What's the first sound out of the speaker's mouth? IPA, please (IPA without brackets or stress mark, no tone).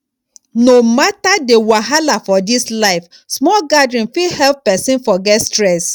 n